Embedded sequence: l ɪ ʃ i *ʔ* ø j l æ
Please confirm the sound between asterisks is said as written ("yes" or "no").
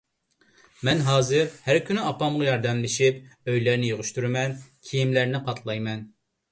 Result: no